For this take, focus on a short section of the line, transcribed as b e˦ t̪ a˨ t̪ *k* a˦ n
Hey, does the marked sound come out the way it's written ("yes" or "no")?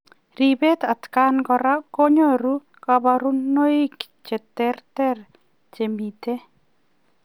yes